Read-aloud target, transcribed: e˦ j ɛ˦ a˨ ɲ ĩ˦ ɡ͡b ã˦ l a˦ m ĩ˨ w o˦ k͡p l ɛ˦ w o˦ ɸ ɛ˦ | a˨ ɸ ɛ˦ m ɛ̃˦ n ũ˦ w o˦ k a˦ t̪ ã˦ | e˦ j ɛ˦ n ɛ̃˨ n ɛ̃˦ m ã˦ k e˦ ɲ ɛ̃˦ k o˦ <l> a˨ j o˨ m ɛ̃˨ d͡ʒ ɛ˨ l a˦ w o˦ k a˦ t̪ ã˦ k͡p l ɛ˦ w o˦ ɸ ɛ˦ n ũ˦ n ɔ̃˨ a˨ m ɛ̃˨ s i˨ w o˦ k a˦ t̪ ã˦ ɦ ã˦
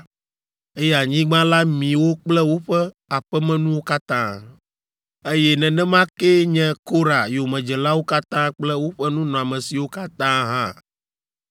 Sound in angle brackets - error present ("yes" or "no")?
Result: yes